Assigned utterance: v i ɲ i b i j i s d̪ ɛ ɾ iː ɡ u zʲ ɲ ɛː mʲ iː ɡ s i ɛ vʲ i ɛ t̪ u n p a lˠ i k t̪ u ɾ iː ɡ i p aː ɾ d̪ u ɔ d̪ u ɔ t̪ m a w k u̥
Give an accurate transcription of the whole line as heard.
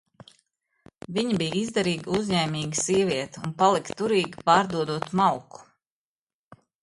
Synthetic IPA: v i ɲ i b i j i z d̪ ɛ ɾ iː ɡ u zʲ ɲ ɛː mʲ iː ɡ s i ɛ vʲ i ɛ t̪ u n p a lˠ i k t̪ u ɾ iː ɡ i p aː ɾ d̪ u ɔ d̪ u ɔ t̪ m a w k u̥